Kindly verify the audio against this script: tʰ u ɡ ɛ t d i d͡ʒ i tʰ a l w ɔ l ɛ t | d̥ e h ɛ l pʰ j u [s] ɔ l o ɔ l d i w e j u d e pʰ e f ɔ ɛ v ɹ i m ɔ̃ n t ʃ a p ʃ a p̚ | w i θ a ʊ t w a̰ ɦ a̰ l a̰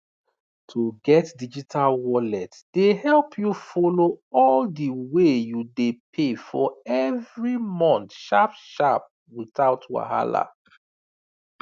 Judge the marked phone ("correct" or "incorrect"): incorrect